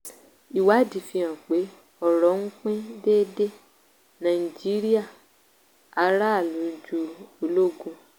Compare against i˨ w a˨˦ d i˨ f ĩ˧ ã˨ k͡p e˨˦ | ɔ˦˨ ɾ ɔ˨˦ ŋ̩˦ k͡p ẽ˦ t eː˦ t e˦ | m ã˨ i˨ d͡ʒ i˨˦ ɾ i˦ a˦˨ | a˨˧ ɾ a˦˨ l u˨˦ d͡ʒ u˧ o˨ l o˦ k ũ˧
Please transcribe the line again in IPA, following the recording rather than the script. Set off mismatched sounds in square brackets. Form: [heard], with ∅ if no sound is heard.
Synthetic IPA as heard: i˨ w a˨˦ d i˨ f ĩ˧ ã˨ k͡p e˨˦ | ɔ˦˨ ɾ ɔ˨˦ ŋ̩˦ k͡p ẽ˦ [d] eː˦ [d] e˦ | [n] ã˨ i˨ d͡ʒ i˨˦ ɾ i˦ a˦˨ | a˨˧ ɾ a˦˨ l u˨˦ d͡ʒ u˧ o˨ l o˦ [ɡ] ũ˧